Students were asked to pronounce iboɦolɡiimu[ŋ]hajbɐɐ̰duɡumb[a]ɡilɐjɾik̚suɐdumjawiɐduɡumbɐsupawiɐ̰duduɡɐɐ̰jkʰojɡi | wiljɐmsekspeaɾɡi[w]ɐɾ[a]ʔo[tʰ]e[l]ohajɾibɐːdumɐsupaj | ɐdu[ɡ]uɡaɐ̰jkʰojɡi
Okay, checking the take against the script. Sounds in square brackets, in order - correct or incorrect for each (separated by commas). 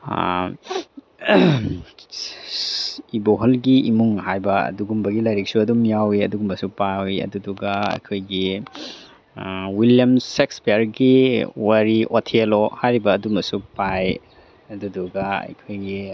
correct, incorrect, correct, incorrect, correct, correct, incorrect